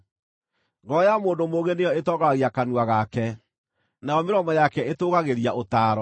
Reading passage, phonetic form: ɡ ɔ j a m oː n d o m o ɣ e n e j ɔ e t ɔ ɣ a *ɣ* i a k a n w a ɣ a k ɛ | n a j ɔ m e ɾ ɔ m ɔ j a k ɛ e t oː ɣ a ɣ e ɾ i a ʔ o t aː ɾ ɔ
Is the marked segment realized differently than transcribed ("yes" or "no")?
no